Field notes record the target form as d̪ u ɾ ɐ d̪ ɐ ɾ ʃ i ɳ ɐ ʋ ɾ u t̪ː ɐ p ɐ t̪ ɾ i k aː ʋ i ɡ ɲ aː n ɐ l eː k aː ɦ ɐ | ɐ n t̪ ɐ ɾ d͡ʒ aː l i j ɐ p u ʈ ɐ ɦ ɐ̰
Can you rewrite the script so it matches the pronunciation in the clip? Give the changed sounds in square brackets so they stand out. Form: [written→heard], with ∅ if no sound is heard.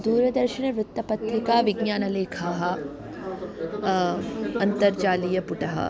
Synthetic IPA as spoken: d̪ [u→uː] ɾ ɐ d̪ ɐ ɾ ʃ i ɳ ɐ ʋ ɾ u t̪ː ɐ p ɐ t̪ ɾ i k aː ʋ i ɡ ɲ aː n ɐ l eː [k→kʰ] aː ɦ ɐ | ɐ n t̪ ɐ ɾ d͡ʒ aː l i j ɐ p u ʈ ɐ ɦ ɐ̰